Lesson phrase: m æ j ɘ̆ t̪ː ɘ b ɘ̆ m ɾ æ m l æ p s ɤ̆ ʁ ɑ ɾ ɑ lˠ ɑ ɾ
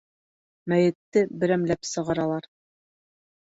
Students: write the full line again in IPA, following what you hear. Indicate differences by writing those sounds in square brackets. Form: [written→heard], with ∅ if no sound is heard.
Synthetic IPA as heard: m æ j ɘ̆ t̪ː ɘ b ɘ̆ [m→∅] ɾ æ m l æ p s ɤ̆ ʁ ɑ ɾ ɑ lˠ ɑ ɾ

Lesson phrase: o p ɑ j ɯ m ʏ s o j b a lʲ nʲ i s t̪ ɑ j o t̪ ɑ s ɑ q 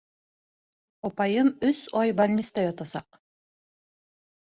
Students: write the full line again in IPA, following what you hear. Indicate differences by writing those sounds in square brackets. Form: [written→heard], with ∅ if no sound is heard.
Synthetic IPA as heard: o p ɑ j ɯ m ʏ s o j b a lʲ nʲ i s t̪ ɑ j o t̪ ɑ s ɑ q

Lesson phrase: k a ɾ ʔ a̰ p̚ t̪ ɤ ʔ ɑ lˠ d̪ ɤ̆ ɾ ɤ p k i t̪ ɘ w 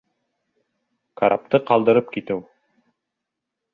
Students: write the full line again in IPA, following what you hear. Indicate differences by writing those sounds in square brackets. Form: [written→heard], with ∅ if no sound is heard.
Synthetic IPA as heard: k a ɾ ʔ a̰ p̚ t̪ ɤ [ʔ→q] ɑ lˠ d̪ ɤ̆ ɾ ɤ p k i t̪ ɘ w

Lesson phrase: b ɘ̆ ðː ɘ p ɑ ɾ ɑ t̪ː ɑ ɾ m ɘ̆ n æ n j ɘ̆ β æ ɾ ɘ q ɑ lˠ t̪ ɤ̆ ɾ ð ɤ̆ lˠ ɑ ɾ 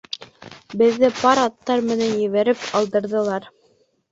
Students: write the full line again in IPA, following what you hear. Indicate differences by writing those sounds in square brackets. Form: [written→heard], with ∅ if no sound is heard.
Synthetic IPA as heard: b ɘ̆ ðː ɘ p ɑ ɾ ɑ t̪ː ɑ ɾ m ɘ̆ n æ n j ɘ̆ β æ ɾ ɘ [q→p] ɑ lˠ [t̪→d̪] ɤ̆ ɾ ð ɤ̆ lˠ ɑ ɾ

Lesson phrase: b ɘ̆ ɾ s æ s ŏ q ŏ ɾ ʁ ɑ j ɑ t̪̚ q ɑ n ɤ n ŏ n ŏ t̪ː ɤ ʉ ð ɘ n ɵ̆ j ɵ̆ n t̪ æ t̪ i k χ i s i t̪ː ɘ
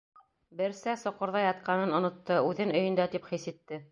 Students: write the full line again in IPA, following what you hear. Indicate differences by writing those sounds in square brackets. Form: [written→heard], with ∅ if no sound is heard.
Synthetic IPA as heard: b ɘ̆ ɾ s æ s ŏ q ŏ ɾ [ʁ→ð] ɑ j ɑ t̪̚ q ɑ n ɤ n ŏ n ŏ t̪ː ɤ ʉ ð ɘ n ɵ̆ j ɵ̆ n [t̪→d̪] æ t̪ i [k→p] χ i s i t̪ː ɘ

